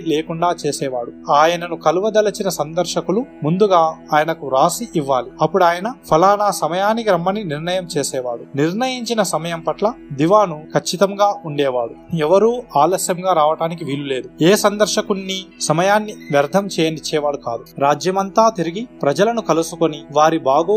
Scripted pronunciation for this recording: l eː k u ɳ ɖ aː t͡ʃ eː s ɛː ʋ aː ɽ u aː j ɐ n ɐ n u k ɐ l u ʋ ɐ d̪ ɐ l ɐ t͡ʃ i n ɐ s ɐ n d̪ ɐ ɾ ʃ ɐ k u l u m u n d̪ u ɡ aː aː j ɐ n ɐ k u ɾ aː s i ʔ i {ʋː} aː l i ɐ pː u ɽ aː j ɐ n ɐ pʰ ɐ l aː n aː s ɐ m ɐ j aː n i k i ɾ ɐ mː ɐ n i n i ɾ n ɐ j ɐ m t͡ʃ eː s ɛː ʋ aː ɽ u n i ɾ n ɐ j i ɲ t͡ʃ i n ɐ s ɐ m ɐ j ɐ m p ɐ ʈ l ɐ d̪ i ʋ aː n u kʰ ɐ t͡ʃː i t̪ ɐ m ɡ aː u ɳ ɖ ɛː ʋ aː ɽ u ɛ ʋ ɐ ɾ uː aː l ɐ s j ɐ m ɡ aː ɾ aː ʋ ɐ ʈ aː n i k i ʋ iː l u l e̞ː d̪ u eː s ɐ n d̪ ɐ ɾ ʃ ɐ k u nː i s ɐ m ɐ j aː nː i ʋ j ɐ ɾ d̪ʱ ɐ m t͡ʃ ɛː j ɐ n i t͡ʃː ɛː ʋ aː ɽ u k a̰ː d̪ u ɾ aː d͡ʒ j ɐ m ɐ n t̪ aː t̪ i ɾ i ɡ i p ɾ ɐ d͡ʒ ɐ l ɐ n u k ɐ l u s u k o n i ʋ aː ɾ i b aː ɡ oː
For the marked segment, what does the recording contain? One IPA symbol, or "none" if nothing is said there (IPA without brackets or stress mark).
ʋː